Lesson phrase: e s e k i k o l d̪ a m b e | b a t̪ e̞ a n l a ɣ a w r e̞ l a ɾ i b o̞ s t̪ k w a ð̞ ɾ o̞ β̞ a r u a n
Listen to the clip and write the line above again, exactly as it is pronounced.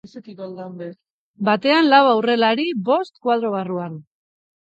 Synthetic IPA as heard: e s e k i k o l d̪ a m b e | b a t̪ e̞ a n l a w a w r e̞ l a ɾ i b o̞ s t̪ k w a ð̞ ɾ o̞ β̞ a r u a n

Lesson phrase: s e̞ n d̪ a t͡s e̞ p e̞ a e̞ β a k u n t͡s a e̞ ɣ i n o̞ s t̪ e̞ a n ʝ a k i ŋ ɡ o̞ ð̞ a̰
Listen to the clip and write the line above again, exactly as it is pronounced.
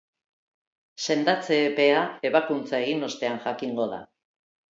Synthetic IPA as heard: s e̞ n d̪ a t͡s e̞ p e̞ a e̞ β a k u n t͡s a e̞ ɣ i n o̞ s t̪ e̞ a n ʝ a k i ŋ ɡ o̞ ð̞ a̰

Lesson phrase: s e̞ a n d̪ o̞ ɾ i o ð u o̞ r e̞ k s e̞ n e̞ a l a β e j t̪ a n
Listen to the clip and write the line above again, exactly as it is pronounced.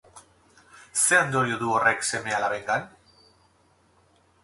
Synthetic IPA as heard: s e̞ a n d̪ o̞ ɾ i o ð u o̞ r e̞ k s e̞ m e̞ a l a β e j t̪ a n

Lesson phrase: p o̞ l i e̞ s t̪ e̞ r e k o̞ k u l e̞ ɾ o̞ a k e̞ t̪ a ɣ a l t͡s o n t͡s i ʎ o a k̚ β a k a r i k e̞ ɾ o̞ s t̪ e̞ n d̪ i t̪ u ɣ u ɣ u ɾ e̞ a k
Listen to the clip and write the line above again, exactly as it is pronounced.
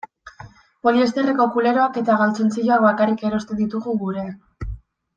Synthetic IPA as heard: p o̞ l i e̞ s t̪ e̞ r e k o̞ k u l e̞ ɾ o̞ a k e̞ t̪ a ɣ a l t͡s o n t͡s i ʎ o a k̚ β a k a r i k e̞ ɾ o̞ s t̪ e̞ n d̪ i t̪ u ɣ u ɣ u ɾ e̞ a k

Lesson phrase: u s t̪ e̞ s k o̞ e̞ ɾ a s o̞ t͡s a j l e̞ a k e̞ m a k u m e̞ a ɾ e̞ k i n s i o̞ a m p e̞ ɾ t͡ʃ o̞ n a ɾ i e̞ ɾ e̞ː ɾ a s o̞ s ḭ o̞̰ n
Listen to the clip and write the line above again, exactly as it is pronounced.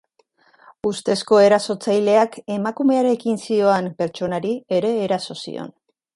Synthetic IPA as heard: u s t̪ e̞ s k o̞ e̞ ɾ a s o̞ t͡s a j l e̞ a k e̞ m a k u m e̞ a ɾ e̞ k i n s i o̞ a m p e̞ ɾ t͡ʃ o̞ n a ɾ i e̞ ɾ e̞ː ɾ a s o̞ s ḭ o̞̰ n

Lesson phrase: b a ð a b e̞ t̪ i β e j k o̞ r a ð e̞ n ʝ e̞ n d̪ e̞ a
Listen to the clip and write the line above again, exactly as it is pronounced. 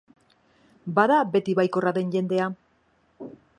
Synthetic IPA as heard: b a ð a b e̞ t̪ i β a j k o̞ r a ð e̞ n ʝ e̞ n d̪ e̞ a

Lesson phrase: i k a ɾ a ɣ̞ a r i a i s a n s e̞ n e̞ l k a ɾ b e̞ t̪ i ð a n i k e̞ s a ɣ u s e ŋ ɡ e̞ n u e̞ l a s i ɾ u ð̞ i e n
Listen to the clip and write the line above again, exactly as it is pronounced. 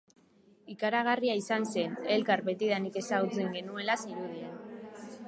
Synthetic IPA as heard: i k a ɾ a ɣ̞ a r i a i s a n s e̞ n e̞ l k a ɾ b e̞ t̪ i ð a n i k e̞ s a ɣ u t͡s e ŋ ɡ e̞ n u e̞ l a s i ɾ u ð̞ i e n

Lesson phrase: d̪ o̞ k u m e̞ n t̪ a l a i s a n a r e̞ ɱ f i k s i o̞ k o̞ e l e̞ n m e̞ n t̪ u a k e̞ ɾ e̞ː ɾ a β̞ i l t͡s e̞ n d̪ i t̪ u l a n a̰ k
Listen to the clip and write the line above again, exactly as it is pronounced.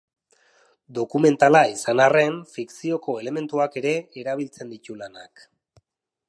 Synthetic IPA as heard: d̪ o̞ k u m e̞ n t̪ a l a i s a n a r e̞ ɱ f i k s i o̞ k o̞ e l e̞ m e̞ n t̪ u a k e̞ ɾ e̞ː ɾ a β̞ i l t͡s e̞ n d̪ i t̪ u l a n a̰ k

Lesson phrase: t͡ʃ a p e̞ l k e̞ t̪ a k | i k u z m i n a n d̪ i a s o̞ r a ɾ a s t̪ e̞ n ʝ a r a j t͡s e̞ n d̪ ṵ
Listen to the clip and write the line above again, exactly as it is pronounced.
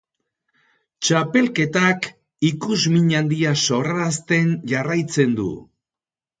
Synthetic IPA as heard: t͡ʃ a p e̞ l k e̞ t̪ a k | i k u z m i ɲ a n d̪ i a s o̞ r a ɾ a s t̪ e̞ n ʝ a r a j t͡s e̞ n d̪ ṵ

